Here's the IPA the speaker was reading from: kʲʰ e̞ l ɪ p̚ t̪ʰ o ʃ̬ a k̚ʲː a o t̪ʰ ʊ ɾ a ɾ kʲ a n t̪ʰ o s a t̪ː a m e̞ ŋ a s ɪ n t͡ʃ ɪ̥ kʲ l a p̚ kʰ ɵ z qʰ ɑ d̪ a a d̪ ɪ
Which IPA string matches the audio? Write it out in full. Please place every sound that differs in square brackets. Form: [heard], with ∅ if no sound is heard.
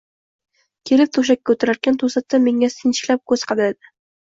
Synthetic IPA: kʲʰ e̞ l ɪ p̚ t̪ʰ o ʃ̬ a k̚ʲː a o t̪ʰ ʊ ɾ a ɾ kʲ a n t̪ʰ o s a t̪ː a m e̞ ŋ a s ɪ n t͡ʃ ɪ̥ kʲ l a p̚ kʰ ɵ z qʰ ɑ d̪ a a d̪ ɪ